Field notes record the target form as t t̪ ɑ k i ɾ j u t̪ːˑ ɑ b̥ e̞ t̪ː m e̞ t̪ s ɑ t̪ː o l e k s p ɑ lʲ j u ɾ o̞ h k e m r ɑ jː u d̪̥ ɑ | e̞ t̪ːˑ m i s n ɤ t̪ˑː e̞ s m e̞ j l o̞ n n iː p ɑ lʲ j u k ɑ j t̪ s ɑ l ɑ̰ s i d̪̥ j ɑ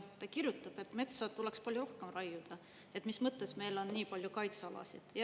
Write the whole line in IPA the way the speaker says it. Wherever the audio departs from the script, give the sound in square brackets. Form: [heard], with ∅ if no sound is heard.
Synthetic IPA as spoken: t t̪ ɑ k i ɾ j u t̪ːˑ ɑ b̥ e̞ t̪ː m e̞ t̪ s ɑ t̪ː [u] l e k s p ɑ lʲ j u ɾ o̞ h k e m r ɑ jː u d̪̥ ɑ | e̞ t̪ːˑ m i s [m] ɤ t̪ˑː e̞ s m e̞ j l o̞ n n iː p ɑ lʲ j u k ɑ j t̪ s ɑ l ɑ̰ s i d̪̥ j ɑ